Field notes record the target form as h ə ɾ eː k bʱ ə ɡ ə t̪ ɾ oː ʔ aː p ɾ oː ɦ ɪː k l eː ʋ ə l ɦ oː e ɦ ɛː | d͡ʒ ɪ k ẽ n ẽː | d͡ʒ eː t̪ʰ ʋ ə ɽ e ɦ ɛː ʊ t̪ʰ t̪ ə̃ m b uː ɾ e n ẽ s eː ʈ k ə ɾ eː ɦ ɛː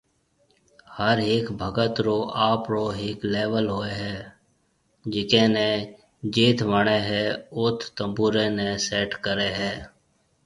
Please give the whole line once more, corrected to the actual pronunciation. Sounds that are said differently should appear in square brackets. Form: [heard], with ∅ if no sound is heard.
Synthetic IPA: h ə ɾ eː k bʱ ə ɡ ə t̪ ɾ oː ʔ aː p ɾ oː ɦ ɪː k l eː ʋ ə l ɦ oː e ɦ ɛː | d͡ʒ ɪ k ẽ n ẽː | d͡ʒ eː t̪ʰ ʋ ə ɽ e ɦ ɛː ʊ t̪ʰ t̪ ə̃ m b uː ɾ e n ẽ s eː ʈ k ə ɾ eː ɦ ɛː